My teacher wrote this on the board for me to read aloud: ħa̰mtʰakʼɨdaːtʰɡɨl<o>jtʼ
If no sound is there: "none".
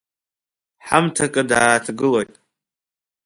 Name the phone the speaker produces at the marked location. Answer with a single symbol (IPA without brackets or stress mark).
o